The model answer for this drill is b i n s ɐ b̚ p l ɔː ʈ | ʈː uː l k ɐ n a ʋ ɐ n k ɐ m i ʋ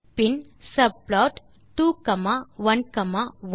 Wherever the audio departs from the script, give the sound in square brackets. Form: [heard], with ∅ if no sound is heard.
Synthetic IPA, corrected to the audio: [p] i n s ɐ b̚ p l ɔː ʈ | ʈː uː [∅] k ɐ [m] a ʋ ɐ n k ɐ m [a] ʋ